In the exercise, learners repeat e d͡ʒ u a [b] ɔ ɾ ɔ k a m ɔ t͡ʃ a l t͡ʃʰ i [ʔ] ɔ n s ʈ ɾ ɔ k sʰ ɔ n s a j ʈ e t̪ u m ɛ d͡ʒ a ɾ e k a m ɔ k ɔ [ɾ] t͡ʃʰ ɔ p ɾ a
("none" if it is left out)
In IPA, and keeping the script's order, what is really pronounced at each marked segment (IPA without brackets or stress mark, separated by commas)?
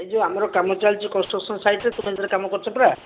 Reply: m, k, ɾ